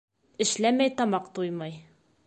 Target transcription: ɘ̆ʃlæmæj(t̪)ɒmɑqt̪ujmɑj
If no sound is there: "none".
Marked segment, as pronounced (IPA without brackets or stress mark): t̪